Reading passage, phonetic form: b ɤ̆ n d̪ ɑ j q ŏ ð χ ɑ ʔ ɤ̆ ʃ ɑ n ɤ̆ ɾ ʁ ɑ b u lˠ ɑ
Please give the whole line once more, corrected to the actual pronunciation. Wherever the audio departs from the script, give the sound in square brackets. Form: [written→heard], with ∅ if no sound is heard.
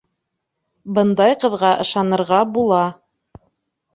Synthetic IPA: b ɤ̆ n d̪ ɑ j q [ŏ→ɤ̆] ð [χ→ʁ] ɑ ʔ ɤ̆ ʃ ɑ n ɤ̆ ɾ ʁ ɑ b u lˠ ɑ